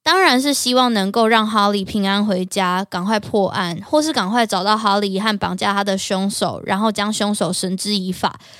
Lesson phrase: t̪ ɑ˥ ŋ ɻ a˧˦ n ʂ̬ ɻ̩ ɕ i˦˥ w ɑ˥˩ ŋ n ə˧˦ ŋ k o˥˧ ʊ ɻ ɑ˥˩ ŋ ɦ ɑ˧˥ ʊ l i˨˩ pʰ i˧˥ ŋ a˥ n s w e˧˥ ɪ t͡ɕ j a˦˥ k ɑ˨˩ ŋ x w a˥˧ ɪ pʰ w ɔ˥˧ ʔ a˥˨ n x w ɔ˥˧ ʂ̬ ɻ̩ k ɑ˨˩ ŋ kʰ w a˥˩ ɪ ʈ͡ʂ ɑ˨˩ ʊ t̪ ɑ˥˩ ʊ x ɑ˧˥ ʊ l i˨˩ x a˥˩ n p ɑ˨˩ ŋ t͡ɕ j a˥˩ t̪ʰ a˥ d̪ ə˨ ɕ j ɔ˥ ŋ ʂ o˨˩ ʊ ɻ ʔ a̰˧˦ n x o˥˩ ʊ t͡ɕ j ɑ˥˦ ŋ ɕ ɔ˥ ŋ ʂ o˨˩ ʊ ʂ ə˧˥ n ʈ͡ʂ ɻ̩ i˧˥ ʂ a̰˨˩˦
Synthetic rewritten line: t̪ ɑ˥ ŋ ɻ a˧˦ n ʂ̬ ɻ̩ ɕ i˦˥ w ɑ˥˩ ŋ n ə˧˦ ŋ k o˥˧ ʊ ɻ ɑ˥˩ ŋ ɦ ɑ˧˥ ʊ l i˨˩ pʰ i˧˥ ŋ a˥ n x w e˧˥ ɪ t͡ɕ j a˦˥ k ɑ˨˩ ŋ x w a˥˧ ɪ pʰ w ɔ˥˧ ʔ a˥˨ n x w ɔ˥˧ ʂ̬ ɻ̩ k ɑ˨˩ ŋ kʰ w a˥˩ ɪ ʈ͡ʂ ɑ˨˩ ʊ t̪ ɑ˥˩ ʊ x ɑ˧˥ ʊ l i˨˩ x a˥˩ n p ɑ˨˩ ŋ t͡ɕ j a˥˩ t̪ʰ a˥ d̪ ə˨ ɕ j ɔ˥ ŋ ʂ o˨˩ ʊ ɻ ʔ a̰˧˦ n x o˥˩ ʊ t͡ɕ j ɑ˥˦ ŋ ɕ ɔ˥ ŋ ʂ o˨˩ ʊ ʂ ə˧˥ n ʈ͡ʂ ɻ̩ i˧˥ f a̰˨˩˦